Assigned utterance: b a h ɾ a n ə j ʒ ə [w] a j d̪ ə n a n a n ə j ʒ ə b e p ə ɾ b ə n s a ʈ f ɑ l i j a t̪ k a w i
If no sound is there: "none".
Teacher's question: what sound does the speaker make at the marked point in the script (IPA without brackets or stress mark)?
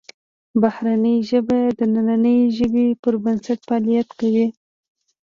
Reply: b